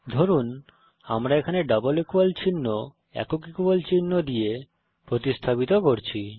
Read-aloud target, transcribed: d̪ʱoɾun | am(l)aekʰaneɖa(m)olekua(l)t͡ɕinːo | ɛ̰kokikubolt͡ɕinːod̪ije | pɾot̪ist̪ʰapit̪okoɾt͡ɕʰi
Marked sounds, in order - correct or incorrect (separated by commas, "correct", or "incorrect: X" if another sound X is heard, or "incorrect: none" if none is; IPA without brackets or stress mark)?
incorrect: ɾ, incorrect: b, correct